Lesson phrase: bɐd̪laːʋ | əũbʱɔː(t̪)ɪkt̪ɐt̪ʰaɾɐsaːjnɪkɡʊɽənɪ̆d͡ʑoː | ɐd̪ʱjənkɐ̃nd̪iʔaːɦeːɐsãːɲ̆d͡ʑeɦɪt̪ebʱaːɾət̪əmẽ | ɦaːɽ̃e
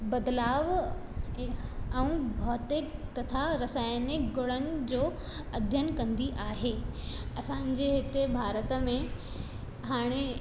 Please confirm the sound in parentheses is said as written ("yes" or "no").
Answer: yes